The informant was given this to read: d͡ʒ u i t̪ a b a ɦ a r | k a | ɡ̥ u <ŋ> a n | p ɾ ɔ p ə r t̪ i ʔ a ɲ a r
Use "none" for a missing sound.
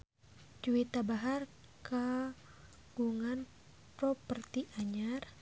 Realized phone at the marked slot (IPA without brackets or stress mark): ŋ